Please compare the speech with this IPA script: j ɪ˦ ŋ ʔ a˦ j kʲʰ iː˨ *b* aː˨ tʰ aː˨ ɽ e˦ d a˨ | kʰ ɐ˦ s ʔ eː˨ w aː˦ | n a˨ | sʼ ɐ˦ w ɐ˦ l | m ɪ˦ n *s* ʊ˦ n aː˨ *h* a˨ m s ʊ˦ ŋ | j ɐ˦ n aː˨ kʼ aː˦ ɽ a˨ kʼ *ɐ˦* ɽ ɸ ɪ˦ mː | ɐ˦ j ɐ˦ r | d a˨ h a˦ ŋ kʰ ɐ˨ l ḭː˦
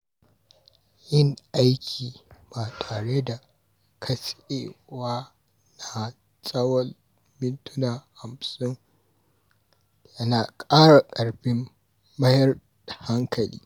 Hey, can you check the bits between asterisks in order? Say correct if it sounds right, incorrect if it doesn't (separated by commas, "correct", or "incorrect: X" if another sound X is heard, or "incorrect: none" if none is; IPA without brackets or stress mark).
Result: correct, incorrect: t, correct, incorrect: ɐ˨